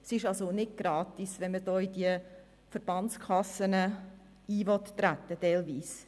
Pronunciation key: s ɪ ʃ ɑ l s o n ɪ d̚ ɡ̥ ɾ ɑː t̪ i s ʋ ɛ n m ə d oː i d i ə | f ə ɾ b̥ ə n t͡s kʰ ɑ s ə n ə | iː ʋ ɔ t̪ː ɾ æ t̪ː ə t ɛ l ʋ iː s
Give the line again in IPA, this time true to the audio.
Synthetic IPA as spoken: s ɪ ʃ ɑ l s o n ɪ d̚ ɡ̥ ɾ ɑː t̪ i s ʋ ɛ n m ə d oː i d i ə | f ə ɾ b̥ ɑ n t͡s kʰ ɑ s ə n ə | iː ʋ ɔ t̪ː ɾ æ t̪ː ə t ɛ l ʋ iː s